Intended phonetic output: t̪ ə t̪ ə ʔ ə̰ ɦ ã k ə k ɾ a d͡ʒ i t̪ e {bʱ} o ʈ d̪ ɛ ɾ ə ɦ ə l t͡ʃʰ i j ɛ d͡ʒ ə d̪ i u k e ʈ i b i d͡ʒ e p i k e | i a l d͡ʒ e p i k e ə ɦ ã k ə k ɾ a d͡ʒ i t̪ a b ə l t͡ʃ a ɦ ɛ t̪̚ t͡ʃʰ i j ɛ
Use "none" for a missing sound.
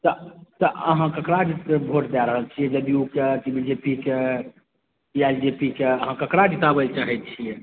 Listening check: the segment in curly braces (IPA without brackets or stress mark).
bʱ